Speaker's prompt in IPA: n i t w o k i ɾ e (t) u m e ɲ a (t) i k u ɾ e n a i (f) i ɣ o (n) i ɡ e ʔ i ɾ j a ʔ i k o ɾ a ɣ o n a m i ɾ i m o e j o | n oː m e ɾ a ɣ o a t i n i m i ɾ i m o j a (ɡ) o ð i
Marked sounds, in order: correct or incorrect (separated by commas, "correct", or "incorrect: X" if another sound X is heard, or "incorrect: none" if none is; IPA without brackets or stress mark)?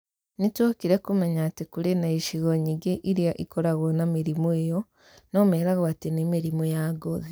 incorrect: k, correct, incorrect: ʃ, incorrect: ɲ, correct